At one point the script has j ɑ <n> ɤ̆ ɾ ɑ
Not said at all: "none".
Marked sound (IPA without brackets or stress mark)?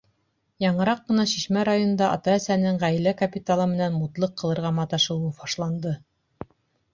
ɴ